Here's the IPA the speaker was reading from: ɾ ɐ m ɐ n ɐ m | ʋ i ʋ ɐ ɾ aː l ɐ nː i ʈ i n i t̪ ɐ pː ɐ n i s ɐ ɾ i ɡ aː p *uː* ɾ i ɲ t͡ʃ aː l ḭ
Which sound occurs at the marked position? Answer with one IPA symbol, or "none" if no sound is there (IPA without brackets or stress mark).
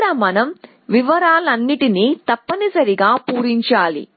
uː